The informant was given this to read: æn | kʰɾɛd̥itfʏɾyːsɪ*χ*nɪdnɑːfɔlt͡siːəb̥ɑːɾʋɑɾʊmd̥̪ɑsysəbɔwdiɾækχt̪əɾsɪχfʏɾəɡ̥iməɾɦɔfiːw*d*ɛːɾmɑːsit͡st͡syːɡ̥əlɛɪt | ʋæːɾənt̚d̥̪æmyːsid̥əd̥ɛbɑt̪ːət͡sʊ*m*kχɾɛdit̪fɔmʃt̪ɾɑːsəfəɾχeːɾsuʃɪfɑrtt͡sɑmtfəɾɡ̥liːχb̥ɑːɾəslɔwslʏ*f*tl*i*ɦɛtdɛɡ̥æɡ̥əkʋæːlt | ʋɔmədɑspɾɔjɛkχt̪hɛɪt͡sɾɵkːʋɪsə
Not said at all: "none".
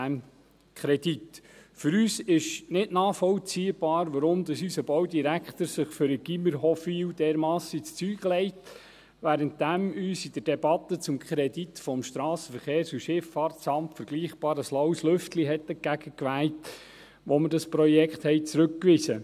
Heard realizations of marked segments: ʃ, d, m, f, i

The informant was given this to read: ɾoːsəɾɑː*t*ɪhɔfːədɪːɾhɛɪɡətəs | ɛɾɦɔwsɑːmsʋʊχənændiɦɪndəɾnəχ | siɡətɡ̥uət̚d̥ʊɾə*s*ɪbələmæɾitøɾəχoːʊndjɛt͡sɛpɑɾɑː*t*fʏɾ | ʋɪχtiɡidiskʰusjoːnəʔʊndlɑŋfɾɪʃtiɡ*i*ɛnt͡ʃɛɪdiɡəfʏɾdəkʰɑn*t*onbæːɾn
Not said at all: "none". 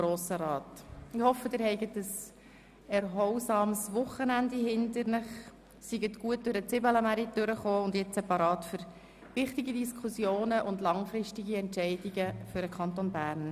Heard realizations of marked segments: t, t͡s, t, i, t

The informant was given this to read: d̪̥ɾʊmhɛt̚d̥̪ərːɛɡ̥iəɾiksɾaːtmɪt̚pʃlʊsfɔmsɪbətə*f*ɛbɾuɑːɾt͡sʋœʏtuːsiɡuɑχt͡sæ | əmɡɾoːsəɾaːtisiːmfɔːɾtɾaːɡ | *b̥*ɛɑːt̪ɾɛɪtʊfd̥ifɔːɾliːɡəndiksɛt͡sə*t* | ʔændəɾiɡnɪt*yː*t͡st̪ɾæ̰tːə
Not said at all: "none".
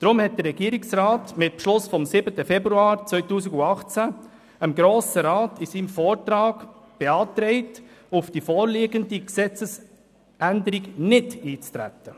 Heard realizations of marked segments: f, b̥, s, iː

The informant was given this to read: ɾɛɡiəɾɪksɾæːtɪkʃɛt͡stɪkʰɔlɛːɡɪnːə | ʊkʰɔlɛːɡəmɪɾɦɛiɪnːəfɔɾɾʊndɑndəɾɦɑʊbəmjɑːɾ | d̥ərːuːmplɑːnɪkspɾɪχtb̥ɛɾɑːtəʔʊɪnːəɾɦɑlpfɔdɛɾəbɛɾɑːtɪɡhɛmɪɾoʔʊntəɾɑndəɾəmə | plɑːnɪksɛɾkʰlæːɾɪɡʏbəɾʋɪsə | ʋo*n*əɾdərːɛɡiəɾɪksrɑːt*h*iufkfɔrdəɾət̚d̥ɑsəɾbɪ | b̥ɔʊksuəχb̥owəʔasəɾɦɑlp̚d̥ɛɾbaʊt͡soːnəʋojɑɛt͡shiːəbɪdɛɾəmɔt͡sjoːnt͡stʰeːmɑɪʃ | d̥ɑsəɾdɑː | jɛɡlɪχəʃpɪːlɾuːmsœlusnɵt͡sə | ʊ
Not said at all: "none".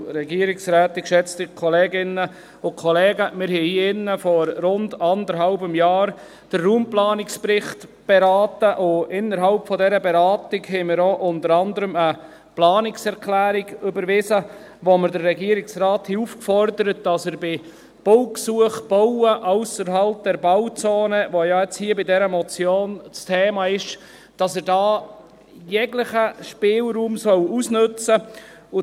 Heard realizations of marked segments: m, h

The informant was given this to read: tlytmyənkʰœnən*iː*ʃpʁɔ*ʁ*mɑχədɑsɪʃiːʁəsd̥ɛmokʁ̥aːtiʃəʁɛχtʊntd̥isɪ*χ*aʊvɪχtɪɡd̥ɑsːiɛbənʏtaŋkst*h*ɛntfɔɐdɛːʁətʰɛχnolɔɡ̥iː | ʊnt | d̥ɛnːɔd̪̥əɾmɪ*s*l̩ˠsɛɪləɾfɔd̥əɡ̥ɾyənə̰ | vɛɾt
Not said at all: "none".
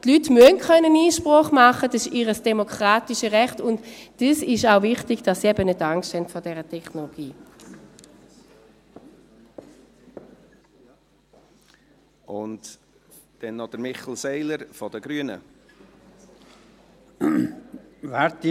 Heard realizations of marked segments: iː, χ, ʃ, h, χ

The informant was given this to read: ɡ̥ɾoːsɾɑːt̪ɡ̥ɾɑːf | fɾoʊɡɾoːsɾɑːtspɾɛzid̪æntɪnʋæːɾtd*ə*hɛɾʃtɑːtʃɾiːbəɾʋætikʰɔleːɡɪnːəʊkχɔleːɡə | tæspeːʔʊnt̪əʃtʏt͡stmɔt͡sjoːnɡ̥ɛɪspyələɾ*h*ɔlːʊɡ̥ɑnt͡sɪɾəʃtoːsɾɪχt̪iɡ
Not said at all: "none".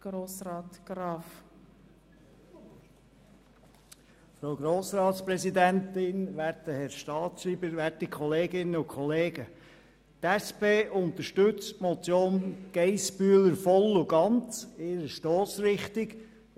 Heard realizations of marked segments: ə, f

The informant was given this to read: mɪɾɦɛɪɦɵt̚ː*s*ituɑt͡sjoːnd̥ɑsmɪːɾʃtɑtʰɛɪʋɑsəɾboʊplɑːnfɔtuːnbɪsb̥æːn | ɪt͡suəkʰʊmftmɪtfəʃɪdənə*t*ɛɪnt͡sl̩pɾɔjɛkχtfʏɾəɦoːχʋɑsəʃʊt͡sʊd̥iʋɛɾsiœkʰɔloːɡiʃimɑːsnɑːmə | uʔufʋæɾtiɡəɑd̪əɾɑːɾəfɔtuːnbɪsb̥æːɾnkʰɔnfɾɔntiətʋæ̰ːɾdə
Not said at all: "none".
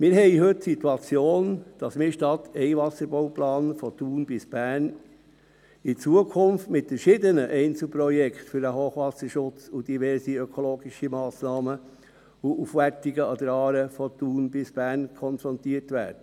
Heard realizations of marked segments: s, ʔ

